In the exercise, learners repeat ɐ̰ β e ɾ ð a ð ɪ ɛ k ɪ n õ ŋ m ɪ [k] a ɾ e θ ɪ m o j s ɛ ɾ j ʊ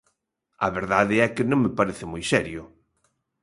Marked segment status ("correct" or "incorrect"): incorrect